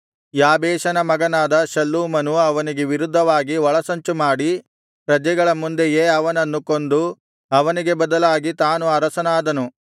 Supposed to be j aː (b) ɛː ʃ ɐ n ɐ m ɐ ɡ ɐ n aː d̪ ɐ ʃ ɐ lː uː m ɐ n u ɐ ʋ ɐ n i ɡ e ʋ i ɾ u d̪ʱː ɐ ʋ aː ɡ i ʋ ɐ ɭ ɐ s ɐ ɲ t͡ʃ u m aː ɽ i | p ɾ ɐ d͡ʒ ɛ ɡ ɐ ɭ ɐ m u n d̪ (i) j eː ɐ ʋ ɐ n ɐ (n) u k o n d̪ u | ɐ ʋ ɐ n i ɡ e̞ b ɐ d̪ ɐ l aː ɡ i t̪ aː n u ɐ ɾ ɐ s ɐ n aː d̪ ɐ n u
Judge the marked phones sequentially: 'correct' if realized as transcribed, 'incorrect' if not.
correct, incorrect: e, incorrect: nː

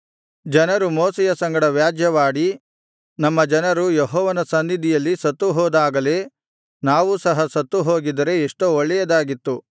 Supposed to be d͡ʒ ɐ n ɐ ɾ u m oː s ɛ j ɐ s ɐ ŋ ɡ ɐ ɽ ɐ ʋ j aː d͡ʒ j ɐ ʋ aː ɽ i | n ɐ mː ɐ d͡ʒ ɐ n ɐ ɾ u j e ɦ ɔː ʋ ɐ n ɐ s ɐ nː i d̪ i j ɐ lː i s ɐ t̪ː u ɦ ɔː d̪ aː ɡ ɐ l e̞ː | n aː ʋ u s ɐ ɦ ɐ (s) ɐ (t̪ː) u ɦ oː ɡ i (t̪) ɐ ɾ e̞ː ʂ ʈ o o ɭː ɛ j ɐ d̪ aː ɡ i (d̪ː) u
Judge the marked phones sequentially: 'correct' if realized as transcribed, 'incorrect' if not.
correct, correct, incorrect: d̪, incorrect: t̪ː

